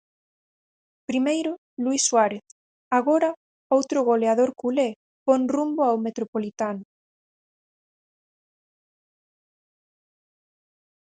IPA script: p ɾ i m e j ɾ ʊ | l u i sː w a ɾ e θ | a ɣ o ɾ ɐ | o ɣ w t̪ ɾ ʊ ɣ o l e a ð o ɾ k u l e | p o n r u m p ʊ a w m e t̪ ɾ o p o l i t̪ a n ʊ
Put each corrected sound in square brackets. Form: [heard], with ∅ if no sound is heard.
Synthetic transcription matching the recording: p ɾ i m e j ɾ ʊ | l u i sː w a ɾ e θ | a ɣ o ɾ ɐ | o [∅] w t̪ ɾ ʊ ɣ o l e a ð o ɾ k u l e | p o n r u m [b] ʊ a w m e t̪ ɾ o p o l i t̪ a n ʊ